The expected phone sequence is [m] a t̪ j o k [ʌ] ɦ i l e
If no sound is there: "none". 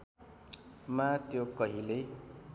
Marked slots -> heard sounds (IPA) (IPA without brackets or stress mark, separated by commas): m, ʌ